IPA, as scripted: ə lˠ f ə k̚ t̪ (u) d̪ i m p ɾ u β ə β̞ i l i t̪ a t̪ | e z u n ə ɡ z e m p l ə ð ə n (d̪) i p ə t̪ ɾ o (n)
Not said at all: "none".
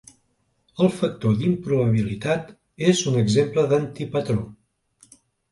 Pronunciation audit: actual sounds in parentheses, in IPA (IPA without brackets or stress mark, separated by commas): o, t̪, none